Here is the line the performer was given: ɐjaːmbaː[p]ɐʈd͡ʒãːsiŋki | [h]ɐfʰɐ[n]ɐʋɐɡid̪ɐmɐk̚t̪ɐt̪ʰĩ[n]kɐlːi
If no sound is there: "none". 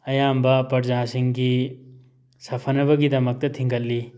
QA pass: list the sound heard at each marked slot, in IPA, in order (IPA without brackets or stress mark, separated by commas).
p, s, n, ŋ